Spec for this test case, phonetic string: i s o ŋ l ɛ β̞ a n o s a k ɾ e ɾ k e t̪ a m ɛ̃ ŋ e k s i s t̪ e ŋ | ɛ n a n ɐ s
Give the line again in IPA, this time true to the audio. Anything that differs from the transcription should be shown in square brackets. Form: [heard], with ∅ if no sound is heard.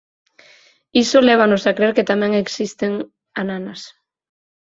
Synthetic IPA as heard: i s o [∅] l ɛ β̞ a n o s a k ɾ e ɾ k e t̪ a m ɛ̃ ŋ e k s i s t̪ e ŋ | [a] n a n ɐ s